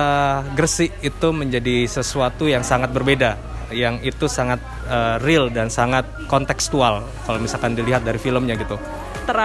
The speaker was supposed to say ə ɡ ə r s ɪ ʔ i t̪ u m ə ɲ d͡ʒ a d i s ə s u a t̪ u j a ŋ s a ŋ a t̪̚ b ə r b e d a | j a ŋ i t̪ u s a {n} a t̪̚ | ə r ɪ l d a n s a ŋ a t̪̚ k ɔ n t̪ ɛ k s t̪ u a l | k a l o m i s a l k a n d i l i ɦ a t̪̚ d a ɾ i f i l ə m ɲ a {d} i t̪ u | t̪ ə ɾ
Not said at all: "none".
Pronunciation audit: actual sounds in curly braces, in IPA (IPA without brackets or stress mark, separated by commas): ŋ, ɡ